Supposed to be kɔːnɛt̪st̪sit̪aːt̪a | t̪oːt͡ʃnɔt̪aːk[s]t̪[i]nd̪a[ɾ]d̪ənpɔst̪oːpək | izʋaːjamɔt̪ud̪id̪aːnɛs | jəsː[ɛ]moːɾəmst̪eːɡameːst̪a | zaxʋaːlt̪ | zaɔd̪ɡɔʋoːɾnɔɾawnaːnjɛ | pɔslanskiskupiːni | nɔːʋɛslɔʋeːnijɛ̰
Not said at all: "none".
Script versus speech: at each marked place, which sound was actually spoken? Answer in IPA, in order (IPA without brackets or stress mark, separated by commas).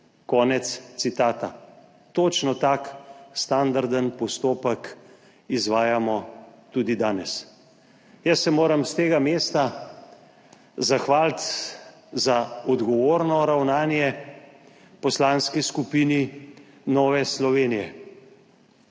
s, a, ɾ, ɛ